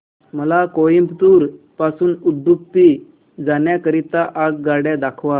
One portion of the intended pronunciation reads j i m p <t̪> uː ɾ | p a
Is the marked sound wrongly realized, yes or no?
no